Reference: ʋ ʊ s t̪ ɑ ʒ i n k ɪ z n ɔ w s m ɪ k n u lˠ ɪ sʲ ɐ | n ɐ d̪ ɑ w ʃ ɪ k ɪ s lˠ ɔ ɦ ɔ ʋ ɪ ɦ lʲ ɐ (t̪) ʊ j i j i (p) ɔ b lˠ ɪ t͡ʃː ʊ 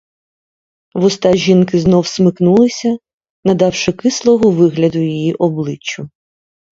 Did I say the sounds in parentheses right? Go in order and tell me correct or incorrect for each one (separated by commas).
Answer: incorrect, incorrect